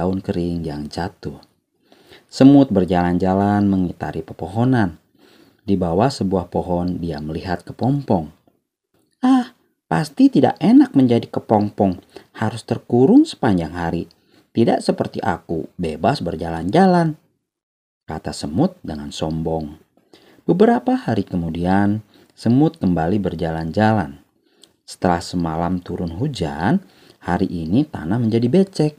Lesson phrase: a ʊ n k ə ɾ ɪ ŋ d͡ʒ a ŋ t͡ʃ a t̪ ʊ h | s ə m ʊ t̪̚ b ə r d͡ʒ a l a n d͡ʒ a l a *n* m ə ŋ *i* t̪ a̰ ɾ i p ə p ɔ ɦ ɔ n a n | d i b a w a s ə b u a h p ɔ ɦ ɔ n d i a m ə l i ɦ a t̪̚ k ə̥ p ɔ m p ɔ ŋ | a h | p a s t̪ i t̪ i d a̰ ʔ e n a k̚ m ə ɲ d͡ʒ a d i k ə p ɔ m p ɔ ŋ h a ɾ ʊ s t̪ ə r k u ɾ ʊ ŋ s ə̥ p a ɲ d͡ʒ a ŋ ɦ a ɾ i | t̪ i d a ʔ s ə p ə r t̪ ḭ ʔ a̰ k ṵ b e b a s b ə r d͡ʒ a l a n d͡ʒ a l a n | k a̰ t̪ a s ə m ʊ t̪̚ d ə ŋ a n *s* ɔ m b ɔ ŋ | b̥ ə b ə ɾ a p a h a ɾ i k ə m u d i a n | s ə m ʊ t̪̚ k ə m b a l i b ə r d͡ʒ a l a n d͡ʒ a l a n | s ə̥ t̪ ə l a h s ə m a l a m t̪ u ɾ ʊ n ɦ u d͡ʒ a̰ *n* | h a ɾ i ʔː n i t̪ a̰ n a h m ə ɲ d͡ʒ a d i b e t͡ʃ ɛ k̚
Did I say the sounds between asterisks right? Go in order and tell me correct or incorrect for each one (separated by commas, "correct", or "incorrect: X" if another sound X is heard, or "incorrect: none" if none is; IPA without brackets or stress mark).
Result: correct, correct, correct, correct